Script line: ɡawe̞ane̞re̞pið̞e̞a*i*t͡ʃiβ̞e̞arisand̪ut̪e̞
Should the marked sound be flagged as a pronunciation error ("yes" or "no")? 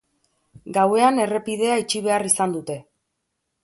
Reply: no